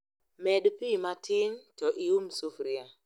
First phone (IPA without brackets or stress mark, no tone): m